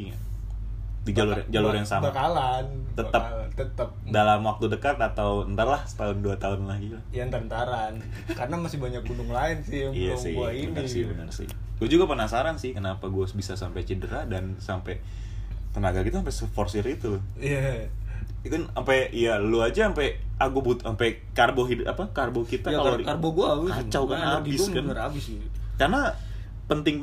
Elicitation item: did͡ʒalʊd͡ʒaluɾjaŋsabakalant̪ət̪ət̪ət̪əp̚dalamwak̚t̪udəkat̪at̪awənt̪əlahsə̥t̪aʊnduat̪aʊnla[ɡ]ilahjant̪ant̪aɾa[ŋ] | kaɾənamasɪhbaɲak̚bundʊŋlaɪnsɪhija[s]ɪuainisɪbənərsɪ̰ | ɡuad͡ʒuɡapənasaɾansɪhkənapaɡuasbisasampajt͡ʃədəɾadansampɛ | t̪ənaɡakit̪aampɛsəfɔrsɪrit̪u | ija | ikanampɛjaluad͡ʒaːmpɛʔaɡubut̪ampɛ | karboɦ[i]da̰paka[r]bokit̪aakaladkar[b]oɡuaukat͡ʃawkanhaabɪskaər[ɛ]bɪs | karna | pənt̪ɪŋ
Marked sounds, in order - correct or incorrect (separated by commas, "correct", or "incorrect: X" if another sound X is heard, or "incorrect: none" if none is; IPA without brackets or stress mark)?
correct, incorrect: n, correct, correct, correct, correct, incorrect: a